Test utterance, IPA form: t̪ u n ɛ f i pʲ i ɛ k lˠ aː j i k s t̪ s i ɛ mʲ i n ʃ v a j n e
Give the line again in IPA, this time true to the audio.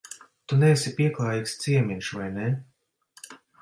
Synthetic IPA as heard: t̪ u n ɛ s i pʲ i ɛ k lˠ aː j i k s t̪ s i ɛ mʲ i n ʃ v a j n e